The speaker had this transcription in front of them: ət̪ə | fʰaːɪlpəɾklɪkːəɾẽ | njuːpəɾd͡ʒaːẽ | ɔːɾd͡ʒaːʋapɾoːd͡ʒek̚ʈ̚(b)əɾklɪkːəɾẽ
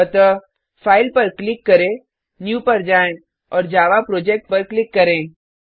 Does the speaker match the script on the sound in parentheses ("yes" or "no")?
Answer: no